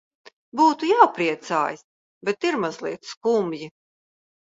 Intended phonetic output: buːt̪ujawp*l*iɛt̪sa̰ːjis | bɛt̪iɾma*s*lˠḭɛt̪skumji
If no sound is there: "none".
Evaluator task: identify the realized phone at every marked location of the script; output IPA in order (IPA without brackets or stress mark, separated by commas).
ɾ, z